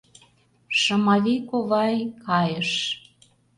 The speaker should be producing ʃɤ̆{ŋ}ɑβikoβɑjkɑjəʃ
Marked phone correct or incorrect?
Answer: incorrect: m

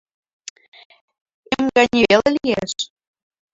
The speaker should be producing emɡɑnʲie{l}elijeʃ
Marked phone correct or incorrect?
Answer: correct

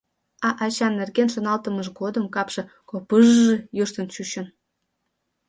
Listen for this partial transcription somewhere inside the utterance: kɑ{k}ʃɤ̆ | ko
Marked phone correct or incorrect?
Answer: incorrect: p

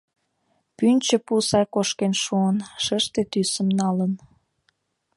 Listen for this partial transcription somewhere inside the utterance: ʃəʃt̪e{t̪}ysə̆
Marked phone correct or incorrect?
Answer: correct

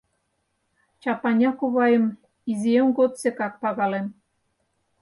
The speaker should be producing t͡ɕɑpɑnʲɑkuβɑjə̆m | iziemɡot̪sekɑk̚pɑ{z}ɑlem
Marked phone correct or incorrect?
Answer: incorrect: ɣ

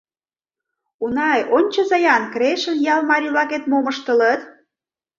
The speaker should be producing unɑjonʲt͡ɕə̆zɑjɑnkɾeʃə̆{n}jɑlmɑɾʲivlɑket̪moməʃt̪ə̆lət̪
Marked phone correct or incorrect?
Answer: correct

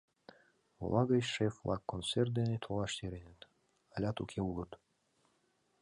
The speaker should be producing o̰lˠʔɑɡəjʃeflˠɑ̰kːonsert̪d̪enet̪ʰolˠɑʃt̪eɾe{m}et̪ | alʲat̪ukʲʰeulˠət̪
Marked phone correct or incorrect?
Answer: incorrect: n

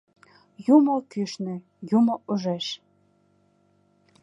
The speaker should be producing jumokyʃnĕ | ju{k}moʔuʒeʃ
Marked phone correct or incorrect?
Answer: incorrect: none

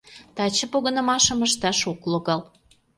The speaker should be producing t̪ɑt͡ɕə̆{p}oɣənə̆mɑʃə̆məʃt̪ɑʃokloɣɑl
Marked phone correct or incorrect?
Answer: correct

